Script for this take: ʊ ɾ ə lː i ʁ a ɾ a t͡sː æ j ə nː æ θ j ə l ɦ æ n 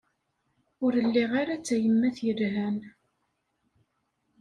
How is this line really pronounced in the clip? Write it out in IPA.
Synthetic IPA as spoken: ʊ ɾ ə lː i ʁ a ɾ a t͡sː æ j ə mː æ θ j ə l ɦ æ n